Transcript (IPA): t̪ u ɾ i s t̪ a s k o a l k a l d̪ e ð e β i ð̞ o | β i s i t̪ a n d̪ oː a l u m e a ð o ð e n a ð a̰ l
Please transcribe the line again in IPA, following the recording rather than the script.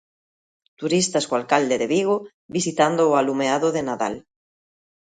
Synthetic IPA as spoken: t̪ u ɾ i s t̪ a s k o a l k a l d̪ e ð e β i ɣ̞ o | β i s i t̪ a n d̪ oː a l u m e a ð o ð e n a ð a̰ l